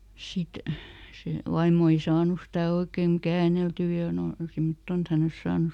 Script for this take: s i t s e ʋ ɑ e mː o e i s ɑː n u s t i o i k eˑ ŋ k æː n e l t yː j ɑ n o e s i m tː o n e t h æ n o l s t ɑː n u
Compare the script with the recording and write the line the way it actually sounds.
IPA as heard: s i t s e ʋ ɑ i mː o e i s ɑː n u s t æ o i k eˑ ŋ k æː n e l t yː j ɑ n o i s i m tː o n e t h æ n o l s s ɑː n u